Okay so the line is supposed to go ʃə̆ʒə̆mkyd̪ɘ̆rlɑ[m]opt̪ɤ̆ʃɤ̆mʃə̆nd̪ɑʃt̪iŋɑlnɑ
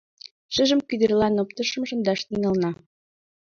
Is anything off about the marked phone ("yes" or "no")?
yes